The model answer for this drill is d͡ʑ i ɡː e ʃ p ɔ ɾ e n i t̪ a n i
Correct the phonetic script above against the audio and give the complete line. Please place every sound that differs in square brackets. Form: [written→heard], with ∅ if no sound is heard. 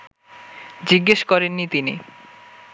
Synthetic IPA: d͡ʑ i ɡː e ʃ [p→k] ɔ ɾ e [n→nː] i t̪ [a→i] n i

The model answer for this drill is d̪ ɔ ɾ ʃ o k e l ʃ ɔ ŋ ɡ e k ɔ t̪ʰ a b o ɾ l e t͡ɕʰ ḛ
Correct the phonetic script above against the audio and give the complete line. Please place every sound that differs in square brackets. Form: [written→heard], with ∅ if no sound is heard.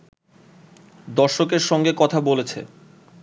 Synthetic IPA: d̪ ɔ ɾ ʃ o k e [l→ɾ] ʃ ɔ ŋ ɡ e k ɔ t̪ʰ a b o [ɾ→∅] l e t͡ɕʰ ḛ

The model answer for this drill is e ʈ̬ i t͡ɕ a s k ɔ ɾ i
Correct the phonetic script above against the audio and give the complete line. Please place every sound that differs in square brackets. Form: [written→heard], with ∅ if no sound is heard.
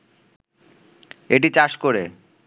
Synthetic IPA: e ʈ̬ i t͡ɕ a [s→ʃ] k [ɔ→o] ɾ [i→e]

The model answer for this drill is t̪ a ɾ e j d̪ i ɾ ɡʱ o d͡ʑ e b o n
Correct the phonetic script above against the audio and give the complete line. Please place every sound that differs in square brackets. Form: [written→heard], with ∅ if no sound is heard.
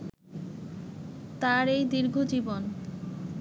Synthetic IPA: t̪ a ɾ e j d̪ i ɾ ɡʱ o d͡ʑ [e→i] b o n

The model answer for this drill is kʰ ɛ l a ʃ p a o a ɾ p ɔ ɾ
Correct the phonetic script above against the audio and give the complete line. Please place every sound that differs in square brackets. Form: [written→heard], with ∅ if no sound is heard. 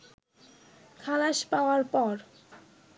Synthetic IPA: kʰ [ɛ→a] l a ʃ p a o a ɾ p ɔ ɾ

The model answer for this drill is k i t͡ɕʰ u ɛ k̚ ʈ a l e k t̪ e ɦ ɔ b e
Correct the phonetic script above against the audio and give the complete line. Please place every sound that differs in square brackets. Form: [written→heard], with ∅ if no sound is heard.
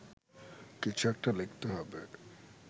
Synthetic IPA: k i t͡ɕʰ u ɛ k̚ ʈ a l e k t̪ e ɦ ɔ b e

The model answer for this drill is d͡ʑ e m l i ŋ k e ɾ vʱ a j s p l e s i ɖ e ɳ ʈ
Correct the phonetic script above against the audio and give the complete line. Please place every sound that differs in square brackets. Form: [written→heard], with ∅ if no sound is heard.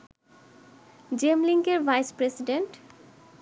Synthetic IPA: d͡ʑ e m l i ŋ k e ɾ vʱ a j s p [l→ɾ] e s i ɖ e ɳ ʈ

